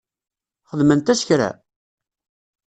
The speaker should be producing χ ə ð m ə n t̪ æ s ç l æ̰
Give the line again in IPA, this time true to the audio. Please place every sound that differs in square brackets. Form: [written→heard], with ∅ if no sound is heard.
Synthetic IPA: χ ə ð m ə n t̪ æ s ç [l→ɾ] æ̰